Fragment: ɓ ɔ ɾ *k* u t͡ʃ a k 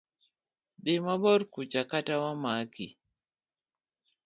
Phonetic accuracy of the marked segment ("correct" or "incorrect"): correct